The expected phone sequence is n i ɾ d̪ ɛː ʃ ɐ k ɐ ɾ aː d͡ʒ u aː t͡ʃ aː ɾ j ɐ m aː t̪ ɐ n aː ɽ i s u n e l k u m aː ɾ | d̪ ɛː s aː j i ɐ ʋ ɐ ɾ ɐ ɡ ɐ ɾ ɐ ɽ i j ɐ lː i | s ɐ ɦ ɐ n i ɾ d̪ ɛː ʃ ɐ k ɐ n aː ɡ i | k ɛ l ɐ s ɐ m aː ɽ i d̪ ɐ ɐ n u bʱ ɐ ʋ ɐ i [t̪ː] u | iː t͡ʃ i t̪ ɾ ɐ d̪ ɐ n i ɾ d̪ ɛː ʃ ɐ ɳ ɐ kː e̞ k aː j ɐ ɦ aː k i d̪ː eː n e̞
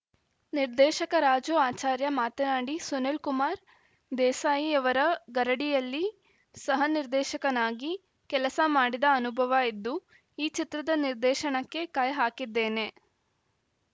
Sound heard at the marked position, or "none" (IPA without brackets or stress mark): d̪ː